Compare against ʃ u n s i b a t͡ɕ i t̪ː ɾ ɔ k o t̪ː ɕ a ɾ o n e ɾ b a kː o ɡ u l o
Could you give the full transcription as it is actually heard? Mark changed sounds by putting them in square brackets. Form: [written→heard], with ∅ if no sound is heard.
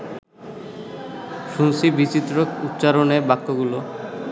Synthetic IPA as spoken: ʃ u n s i b [a→i] t͡ɕ i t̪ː ɾ [ɔ→o] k [o→u] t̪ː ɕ a ɾ o n e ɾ b a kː o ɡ u l o